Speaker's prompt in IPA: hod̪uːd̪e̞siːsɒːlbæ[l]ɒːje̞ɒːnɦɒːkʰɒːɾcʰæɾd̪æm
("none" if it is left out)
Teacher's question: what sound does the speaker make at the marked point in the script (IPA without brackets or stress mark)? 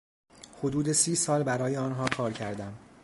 ɾ